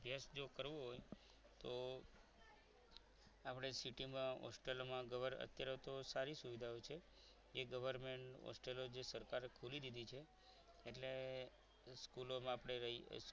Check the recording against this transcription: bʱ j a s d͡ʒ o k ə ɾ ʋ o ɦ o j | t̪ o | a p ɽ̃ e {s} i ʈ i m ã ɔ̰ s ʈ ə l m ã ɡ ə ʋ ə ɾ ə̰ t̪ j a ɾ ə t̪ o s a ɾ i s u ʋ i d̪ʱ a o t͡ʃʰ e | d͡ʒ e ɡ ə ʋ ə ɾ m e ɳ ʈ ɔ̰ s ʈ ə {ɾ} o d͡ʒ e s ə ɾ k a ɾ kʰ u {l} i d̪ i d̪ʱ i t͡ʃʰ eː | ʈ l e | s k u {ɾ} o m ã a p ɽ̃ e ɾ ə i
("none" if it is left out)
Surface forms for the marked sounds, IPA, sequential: s, l, l, l

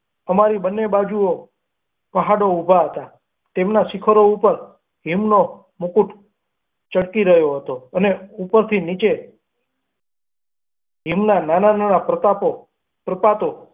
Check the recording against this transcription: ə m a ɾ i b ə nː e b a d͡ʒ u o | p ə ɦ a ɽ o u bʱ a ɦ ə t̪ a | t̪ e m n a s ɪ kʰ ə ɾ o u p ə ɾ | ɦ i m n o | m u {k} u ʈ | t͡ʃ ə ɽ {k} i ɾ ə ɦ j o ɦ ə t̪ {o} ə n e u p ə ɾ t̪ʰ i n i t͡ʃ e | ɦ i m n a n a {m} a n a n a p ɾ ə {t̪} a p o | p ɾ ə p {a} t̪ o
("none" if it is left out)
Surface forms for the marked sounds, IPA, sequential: k, k, o, n, t̪, a

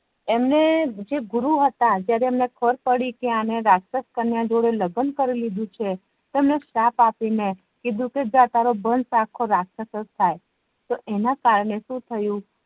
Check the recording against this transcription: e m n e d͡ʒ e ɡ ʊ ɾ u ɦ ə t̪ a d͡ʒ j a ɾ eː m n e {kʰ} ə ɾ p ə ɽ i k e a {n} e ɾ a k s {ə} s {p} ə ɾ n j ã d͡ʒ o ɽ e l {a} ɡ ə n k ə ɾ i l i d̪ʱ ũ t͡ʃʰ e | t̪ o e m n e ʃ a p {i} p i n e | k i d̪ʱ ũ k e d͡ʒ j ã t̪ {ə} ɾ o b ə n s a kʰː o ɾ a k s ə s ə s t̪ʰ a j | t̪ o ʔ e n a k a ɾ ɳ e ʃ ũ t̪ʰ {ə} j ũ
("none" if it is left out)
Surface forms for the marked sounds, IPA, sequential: kʰ, n, ə, k, ə, a, a, ə

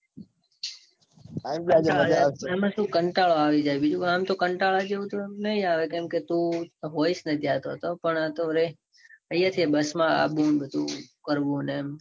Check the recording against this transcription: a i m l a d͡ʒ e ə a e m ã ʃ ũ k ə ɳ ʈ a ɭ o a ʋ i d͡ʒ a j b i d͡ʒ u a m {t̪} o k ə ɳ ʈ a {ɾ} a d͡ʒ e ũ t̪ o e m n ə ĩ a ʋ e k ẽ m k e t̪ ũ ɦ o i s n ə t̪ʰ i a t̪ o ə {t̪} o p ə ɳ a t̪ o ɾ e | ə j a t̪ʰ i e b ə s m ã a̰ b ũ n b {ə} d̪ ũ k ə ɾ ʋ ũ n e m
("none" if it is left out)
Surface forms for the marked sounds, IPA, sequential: t̪, ɭ, t̪, ə

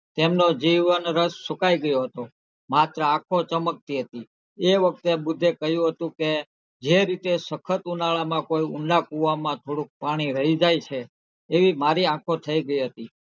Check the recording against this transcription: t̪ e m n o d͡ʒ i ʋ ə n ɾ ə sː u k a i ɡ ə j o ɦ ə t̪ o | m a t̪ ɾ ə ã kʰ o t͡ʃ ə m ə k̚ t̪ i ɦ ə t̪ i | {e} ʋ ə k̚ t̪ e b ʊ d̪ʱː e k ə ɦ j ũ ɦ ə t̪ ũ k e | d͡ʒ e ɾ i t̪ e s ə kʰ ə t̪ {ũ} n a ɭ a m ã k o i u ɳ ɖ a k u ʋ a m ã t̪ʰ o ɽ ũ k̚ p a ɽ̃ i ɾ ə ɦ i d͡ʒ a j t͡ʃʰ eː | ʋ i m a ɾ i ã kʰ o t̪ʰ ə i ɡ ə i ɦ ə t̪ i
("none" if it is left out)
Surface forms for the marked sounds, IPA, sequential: e, u

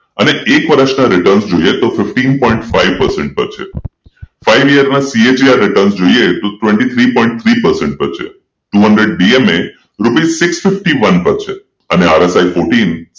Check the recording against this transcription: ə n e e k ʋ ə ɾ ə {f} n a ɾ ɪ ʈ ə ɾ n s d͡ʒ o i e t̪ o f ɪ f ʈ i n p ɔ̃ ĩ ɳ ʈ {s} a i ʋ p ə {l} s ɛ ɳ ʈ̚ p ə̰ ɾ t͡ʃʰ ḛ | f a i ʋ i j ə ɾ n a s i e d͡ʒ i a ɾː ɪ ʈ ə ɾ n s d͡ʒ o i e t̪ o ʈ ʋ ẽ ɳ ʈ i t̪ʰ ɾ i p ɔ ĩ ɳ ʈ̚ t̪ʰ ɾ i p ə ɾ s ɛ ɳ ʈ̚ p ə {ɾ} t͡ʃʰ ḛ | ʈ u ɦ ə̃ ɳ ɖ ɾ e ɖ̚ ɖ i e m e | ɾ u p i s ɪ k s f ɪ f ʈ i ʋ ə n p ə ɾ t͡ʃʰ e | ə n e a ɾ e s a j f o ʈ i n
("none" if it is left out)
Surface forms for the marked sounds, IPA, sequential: ʃ, f, ɾ, ɾ

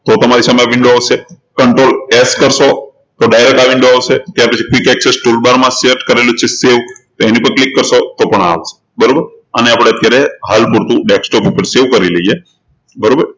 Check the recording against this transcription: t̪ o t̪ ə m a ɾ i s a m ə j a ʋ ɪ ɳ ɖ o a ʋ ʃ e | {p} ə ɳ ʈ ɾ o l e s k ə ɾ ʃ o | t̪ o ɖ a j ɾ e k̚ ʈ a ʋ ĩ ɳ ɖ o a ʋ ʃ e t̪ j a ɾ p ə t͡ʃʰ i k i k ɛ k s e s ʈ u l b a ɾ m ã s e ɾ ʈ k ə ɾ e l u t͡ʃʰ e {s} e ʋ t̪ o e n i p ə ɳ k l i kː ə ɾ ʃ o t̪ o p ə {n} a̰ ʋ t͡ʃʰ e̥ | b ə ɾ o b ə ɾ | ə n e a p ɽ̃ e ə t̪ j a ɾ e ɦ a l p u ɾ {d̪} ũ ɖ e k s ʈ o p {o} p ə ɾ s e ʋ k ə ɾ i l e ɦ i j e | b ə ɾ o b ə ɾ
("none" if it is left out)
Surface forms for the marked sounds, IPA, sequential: k, s, ɳ, t̪, u

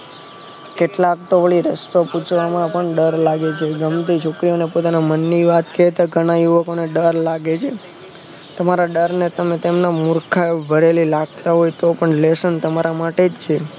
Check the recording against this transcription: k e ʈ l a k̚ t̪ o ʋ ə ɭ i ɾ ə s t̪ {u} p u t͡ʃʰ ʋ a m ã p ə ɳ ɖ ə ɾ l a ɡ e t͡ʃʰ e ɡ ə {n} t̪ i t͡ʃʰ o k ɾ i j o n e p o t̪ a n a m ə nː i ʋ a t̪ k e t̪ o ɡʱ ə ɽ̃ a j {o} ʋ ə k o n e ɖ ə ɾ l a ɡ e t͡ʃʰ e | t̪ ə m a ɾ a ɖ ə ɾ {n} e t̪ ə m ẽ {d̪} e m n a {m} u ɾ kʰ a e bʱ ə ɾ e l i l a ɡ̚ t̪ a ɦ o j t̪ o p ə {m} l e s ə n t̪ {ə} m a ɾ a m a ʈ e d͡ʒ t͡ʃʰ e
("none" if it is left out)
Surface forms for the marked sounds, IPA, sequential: o, m, u, n, t̪, m, ɳ, ə

